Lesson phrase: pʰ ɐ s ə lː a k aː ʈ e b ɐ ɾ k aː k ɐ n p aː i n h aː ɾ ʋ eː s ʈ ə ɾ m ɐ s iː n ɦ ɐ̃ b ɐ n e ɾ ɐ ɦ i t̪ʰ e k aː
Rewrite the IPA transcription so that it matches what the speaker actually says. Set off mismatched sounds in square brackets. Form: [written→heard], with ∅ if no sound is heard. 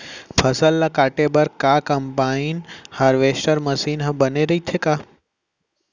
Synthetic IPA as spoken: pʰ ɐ s ə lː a k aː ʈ e b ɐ ɾ k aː k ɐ [n→m] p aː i n h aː ɾ ʋ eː s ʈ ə ɾ m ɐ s iː n ɦ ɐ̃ b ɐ n e ɾ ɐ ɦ i t̪ʰ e k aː